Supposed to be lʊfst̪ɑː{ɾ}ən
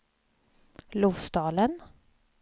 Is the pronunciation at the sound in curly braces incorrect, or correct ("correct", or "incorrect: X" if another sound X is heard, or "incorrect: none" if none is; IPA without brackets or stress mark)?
incorrect: l